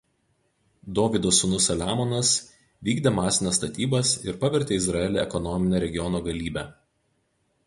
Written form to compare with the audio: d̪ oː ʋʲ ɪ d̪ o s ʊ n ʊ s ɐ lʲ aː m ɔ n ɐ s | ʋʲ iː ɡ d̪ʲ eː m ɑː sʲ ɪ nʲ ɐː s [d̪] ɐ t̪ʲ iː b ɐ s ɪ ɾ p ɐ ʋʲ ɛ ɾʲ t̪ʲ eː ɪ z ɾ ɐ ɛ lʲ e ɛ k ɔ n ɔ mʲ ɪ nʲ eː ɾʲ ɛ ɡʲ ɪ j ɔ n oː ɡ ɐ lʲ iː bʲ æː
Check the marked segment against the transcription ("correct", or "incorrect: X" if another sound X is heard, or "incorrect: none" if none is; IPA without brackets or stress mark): incorrect: t̪